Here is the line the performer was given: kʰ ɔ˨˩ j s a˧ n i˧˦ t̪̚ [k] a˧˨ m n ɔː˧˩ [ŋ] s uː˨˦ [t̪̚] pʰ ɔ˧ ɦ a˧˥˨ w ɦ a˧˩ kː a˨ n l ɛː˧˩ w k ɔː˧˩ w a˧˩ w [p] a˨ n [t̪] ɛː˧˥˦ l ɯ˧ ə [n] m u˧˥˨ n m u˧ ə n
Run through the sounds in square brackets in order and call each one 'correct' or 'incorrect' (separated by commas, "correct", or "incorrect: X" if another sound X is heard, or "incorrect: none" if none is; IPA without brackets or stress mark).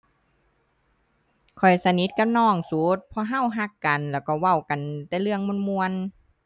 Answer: correct, correct, correct, incorrect: k, correct, incorrect: ŋ